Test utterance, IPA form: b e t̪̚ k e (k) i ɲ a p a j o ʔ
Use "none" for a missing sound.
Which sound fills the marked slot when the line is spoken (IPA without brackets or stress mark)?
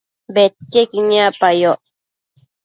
k